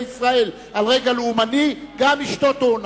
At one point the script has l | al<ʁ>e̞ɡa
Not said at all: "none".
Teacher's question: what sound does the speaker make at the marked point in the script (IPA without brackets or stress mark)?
ʁ